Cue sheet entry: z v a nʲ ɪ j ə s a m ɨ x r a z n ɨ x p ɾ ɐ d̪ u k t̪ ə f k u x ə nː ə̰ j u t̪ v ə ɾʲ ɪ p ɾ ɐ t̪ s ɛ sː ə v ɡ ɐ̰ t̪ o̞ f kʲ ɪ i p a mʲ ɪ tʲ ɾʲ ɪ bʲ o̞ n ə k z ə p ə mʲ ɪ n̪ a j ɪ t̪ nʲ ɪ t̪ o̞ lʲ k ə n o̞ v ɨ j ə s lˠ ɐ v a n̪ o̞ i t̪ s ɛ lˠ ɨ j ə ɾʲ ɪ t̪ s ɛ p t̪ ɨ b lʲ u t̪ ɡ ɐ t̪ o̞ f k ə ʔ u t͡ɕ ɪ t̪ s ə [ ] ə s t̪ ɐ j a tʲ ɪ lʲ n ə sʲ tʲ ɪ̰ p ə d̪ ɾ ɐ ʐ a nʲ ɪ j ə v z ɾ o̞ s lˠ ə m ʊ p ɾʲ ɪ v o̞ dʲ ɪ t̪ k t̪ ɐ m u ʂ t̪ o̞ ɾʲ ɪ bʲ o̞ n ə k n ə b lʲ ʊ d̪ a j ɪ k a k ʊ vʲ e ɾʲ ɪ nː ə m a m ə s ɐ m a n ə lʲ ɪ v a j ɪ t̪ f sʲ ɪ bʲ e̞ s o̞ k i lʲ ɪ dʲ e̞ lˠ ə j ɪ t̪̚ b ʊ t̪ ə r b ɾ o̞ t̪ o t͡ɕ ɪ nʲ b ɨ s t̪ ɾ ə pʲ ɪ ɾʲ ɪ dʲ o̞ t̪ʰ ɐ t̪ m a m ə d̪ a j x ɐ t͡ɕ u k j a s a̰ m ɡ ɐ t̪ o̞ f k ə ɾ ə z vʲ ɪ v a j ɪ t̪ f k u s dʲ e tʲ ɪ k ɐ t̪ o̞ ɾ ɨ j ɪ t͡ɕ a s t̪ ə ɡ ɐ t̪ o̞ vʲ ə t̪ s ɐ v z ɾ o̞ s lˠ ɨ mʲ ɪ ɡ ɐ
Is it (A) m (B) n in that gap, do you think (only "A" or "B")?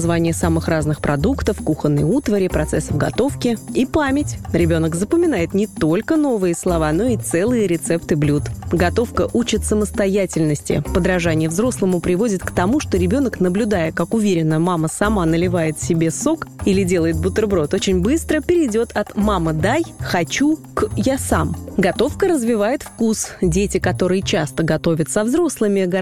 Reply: A